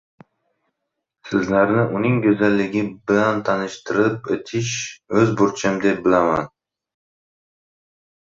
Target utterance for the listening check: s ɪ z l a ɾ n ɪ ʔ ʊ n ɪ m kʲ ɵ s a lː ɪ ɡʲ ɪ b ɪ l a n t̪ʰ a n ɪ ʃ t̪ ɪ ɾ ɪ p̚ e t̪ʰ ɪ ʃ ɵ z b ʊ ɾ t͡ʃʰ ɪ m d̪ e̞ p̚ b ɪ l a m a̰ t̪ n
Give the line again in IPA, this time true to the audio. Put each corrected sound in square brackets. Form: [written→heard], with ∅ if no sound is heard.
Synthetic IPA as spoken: s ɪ z l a ɾ n ɪ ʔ ʊ n ɪ [m→ŋ] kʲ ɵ [s→z] a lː ɪ ɡʲ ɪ b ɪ l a n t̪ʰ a n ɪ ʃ t̪ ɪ ɾ ɪ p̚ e t̪ʰ ɪ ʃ ɵ z b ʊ ɾ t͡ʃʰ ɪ m d̪ e̞ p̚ b ɪ l a m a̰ [t̪→∅] n

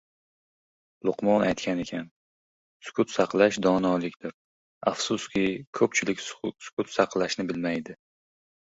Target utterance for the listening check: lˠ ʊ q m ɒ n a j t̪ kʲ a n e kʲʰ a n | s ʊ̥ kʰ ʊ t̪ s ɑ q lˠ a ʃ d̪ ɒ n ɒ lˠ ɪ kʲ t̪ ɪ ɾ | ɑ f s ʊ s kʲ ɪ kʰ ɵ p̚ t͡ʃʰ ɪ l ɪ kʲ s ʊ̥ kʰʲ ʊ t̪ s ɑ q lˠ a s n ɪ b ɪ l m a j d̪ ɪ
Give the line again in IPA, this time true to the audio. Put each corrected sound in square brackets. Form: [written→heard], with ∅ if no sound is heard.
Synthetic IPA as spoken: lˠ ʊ q m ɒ n a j t̪ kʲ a n e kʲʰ a n | s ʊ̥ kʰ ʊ t̪ s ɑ q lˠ a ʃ d̪ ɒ n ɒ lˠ ɪ kʲ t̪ ɪ ɾ | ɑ f s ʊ s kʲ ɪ kʰ ɵ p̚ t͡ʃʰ ɪ l ɪ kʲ s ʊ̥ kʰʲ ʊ t̪ s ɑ q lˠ a [s→ʃ] n ɪ b ɪ l m a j d̪ ɪ

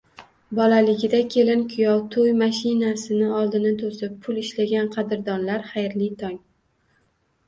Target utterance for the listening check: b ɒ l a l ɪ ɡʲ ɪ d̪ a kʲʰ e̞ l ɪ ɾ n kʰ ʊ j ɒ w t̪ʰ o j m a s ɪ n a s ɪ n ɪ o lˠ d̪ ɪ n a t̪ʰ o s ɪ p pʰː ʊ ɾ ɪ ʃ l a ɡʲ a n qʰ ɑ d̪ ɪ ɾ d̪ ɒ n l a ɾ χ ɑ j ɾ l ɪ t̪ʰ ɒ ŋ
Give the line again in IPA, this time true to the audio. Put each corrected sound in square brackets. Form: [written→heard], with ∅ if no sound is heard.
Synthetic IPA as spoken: b ɒ l a l ɪ ɡʲ ɪ d̪ a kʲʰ e̞ l ɪ [ɾ→∅] n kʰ ʊ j ɒ w t̪ʰ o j m a [s→ʃ] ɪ n a s ɪ n ɪ [o→ɒ] lˠ d̪ ɪ n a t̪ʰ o s ɪ p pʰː ʊ [ɾ→l] ɪ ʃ l a ɡʲ a n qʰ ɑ d̪ ɪ ɾ d̪ ɒ n l a ɾ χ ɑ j ɾ l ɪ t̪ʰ ɒ ŋ

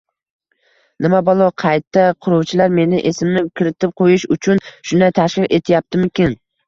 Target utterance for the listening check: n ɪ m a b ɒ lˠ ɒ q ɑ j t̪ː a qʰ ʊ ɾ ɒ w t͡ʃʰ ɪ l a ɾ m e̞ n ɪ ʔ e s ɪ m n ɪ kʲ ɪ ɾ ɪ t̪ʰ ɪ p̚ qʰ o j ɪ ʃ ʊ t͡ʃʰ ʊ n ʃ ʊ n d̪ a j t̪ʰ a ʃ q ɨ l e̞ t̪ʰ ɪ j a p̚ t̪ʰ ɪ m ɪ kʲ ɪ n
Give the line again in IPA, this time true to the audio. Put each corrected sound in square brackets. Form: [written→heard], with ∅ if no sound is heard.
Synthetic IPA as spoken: n ɪ m a b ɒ lˠ ɒ [q→qʰ] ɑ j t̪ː a qʰ ʊ ɾ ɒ w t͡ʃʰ ɪ l a ɾ m e̞ n ɪ ʔ e s ɪ m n ɪ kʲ ɪ ɾ ɪ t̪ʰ ɪ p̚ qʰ o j ɪ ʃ ʊ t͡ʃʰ ʊ n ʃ ʊ n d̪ a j t̪ʰ a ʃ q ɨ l e̞ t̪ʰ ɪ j a p̚ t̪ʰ ɪ m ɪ kʲ ɪ n

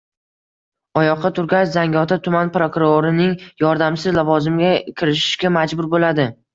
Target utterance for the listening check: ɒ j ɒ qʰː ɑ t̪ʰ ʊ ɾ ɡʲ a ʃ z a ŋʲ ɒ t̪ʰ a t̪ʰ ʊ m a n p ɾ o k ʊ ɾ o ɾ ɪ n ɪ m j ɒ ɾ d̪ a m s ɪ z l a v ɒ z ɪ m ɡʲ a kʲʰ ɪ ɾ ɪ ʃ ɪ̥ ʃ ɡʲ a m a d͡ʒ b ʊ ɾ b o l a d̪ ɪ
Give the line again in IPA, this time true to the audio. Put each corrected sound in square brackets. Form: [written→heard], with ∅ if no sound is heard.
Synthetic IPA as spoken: ɒ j ɒ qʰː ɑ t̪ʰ ʊ ɾ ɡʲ a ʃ z a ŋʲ ɒ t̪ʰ a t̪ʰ ʊ m a n p ɾ o k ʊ ɾ o ɾ ɪ n ɪ [m→ŋ] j ɒ ɾ d̪ a m s ɪ z l a v ɒ z ɪ m ɡʲ a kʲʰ ɪ ɾ ɪ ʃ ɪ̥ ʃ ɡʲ a m a d͡ʒ b ʊ ɾ b o l a d̪ ɪ

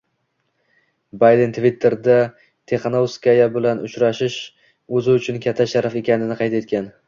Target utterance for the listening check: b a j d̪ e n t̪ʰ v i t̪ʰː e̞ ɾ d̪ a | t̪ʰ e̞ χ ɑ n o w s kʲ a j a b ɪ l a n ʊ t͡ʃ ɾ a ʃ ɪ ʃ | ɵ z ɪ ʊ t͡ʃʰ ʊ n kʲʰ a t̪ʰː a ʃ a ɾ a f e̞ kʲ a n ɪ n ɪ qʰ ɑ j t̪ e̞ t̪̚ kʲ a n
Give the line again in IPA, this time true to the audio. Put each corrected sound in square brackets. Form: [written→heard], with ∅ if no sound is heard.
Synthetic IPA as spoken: b a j d̪ e n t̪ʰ v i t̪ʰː e̞ ɾ d̪ a | t̪ʰ e̞ χ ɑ n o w s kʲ a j a b ɪ l a n ʊ t͡ʃ ɾ a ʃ ɪ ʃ | ɵ z ɪ ʊ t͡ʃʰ ʊ n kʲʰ a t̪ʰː a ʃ a ɾ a f e̞ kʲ a n ɪ n ɪ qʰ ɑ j t̪ e̞ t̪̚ kʲ a n

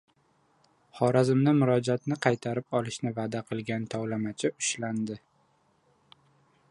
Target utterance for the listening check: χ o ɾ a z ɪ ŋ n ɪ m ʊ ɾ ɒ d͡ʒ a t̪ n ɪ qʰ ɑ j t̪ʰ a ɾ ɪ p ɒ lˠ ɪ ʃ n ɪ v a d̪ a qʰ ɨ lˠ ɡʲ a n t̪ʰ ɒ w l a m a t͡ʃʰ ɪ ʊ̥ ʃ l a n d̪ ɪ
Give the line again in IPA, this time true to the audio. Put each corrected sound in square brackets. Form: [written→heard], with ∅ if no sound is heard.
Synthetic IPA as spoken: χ [o→ɒ] ɾ a z ɪ [ŋ→m] n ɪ m ʊ ɾ ɒ d͡ʒ a t̪ n ɪ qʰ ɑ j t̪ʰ a ɾ ɪ p ɒ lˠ ɪ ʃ n ɪ v a d̪ a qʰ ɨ lˠ ɡʲ a n t̪ʰ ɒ w l a m a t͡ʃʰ ɪ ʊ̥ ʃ l a n d̪ ɪ

